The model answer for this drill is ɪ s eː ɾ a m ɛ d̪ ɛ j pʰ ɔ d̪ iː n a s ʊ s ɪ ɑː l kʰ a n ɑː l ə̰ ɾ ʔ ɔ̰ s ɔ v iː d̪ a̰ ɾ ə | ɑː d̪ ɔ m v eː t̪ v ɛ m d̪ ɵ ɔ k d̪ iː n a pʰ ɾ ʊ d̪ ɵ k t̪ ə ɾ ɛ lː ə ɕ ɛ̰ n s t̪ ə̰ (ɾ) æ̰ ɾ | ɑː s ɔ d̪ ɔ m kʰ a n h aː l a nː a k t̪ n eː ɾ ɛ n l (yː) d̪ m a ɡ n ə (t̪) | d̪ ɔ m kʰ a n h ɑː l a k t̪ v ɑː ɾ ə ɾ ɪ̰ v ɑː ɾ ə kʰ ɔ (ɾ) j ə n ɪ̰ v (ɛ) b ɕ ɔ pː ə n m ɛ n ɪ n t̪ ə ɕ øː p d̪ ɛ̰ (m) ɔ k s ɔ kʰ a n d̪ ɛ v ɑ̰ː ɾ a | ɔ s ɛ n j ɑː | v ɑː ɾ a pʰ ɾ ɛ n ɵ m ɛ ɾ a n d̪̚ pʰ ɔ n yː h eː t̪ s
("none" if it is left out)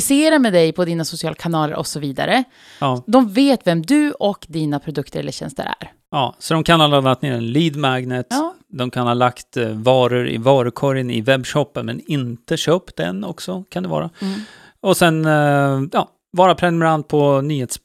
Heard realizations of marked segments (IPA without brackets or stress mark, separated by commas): ɾ, iː, t̪, ɾ, ɛ, n